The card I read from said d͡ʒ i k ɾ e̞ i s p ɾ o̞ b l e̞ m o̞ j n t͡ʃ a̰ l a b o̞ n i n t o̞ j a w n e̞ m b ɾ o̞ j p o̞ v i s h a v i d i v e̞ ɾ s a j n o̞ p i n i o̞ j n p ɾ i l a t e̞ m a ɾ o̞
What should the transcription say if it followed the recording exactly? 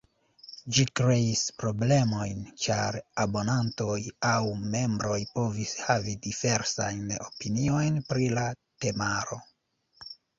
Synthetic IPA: d͡ʒ i k ɾ e̞ i s p ɾ o̞ b l e̞ m o̞ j n t͡ʃ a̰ ɾ a b o̞ n a n t o̞ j a w m e̞ m b ɾ o̞ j p o̞ v i s h a v i d i v e̞ ɾ s a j n o̞ p i n i o̞ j n p ɾ i l a t e̞ m a ɾ o̞

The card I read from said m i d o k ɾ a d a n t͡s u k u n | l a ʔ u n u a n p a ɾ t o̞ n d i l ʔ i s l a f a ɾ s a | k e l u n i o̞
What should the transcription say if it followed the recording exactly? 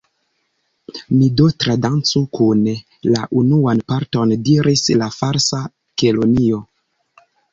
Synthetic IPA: m i d o t ɾ a d a n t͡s u k u n | l a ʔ u n u a n p a ɾ t o̞ n d i ɾ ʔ i s l a f a ɾ s a | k e l o n i o̞

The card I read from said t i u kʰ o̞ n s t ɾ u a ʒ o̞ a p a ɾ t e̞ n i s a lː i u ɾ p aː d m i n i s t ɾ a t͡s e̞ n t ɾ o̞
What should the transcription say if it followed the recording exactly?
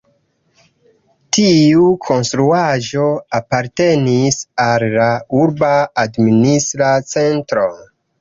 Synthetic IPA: t i u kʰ o̞ n s t ɾ u a ʒ o̞ a p a ɾ t e̞ n i s a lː a u ɾ b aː d m i n i s t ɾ a t͡s e̞ n t ɾ o̞

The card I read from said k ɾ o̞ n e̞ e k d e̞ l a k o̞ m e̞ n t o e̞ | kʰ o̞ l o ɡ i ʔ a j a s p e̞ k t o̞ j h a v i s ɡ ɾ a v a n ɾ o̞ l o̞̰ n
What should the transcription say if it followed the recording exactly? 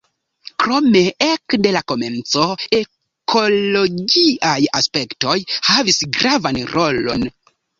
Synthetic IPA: k ɾ o̞ m e̞ e k d e̞ l a k o̞ m e̞ n t͡s o e̞ | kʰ o̞ l o ɡ i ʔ a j a s p e̞ k t o̞ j h a v i s ɡ ɾ a v a n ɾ o̞ l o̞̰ n

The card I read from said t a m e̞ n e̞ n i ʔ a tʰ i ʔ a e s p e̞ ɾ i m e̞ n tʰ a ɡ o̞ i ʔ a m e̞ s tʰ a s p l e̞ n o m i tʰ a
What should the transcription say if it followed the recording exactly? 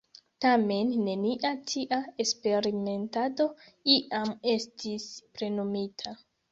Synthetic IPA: t a m e̞ nː e̞ n i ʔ a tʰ i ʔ a e s p e̞ ɾ i m e̞ n t a d o̞ i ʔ a m e̞ s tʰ i s p ɾ e̞ n o m i tʰ a

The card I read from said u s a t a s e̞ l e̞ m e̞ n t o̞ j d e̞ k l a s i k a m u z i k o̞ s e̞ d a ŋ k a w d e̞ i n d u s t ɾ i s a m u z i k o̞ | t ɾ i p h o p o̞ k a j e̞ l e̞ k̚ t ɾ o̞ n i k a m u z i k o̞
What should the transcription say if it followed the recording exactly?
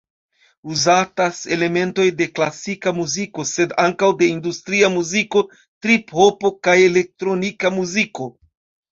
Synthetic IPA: u z a t a s e̞ l e̞ m e̞ n t o̞ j d e̞ k l a s i k a m u z i k o̞ s e̞ d a ŋ k a w d e̞ i n d u s t ɾ i a m u z i k o̞ | t ɾ i p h o p o̞ k a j e̞ l e̞ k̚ t ɾ o̞ n i k a m u z i k o̞

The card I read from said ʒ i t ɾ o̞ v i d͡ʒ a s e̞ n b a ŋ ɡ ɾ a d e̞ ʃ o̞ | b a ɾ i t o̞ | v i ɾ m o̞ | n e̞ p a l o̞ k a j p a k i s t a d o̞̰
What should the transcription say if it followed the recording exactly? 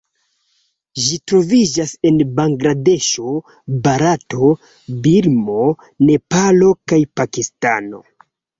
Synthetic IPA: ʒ i t ɾ o̞ v i d͡ʒ a s e̞ n b a ŋ ɡ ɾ a d e̞ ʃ o̞ | b a ɾ a t o̞ | b i ɾ m o̞ | n e̞ p a l o̞ k a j p a k i s t a n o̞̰

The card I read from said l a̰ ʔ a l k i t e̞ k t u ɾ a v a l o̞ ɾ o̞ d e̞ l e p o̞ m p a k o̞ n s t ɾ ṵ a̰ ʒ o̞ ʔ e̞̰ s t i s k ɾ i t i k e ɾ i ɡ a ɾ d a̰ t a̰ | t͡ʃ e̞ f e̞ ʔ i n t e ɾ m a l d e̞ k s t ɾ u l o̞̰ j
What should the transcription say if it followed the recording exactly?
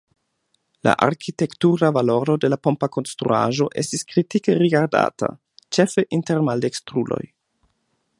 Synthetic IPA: l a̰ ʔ a ɾ k i t e̞ k t u ɾ a v a l o̞ ɾ o̞ d e̞ l a p o̞ m p a k o̞ n s t ɾ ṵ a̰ ʒ o̞ ʔ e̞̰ s t i s k ɾ i t i k e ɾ i ɡ a ɾ d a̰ t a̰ | t͡ʃ e̞ f e̞ ʔ i n t e ɾ m a l d e̞ k s t ɾ u l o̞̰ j

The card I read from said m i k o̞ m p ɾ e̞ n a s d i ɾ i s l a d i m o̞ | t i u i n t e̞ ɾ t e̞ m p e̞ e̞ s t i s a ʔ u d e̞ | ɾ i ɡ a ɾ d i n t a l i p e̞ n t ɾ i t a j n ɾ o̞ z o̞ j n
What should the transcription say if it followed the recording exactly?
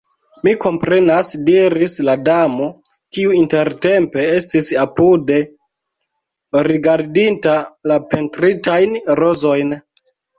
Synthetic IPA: m i k o̞ m p ɾ e̞ n a s d i ɾ i s l a d a m o̞ | k i u i n t e̞ ɾ t e̞ m p e̞ e̞ s t i s a p u d e̞ | ɾ i ɡ a ɾ d i n t a l a p e̞ n t ɾ i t a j n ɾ o̞ z o̞ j n

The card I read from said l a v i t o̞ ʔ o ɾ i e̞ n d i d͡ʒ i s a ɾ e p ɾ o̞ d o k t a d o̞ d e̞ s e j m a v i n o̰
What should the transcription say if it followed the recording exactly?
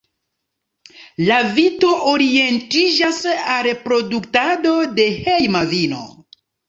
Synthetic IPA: l a v i t o̞ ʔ o ɾ i e̞ n t i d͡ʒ a s a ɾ e p ɾ o̞ d u k t a d o̞ d e̞ h e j m a v i n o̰

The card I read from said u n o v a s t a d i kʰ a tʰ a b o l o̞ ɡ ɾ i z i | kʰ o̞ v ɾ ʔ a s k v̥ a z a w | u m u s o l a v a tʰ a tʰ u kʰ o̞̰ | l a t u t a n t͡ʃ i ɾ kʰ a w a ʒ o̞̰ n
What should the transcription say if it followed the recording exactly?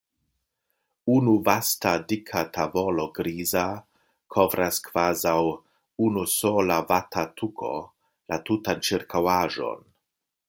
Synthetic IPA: u n u v a s t a d i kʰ a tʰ a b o l o̞ ɡ ɾ i z a | kʰ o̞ v ɾ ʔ a s k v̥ a z a w | u n u s o l a v a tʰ a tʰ u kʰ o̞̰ | l a t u t a n t͡ʃ i ɾ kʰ a w a ʒ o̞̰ n

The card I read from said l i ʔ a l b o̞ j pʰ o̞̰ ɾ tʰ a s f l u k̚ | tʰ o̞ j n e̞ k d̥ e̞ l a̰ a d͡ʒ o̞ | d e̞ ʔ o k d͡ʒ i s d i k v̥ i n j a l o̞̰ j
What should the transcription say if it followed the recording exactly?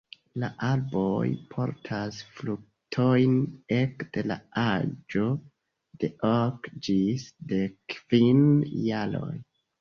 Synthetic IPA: l a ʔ a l b o̞ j pʰ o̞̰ ɾ tʰ a s f l u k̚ | tʰ o̞ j n e̞ k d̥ e̞ l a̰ a d͡ʒ o̞ | d e̞ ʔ o k d͡ʒ i s d e k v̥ i n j a l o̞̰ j

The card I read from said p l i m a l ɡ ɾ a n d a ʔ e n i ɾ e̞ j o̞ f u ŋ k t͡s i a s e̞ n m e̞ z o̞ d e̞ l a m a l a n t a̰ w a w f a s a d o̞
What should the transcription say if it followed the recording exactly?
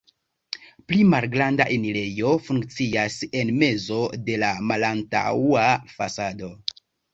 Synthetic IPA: p l i m a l ɡ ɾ a n d a ʔ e n i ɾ e̞ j o̞ f u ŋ k t͡s i a s e̞ n m e̞ z o̞ d e̞ l a m a l a n t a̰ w a f a s a d o̞

